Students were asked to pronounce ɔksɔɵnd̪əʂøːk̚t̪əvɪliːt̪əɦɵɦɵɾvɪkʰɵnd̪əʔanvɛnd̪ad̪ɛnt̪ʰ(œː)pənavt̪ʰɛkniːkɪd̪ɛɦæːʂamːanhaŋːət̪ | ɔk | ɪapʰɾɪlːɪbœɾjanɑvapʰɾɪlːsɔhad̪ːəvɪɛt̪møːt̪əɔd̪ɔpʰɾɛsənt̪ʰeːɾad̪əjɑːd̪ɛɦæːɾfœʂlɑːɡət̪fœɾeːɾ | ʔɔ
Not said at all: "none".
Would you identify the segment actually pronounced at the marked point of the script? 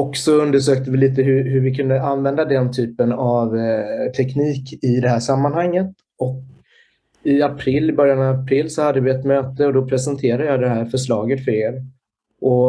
yː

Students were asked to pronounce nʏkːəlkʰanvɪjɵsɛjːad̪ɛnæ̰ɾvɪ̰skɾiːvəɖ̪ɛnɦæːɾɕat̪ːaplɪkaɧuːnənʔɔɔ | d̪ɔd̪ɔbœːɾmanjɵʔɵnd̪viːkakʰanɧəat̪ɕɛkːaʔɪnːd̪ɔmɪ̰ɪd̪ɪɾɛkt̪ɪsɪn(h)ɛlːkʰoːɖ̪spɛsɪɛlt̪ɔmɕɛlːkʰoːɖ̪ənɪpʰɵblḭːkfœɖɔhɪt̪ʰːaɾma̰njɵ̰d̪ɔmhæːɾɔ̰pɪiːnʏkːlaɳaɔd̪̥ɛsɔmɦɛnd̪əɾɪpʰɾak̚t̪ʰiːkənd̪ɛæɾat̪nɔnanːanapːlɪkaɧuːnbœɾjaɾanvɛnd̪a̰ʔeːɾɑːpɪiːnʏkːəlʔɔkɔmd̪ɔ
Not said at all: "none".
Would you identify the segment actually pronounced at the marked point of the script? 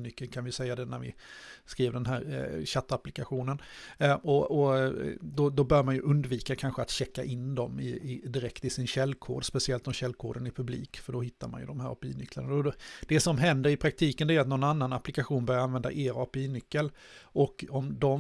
ɕ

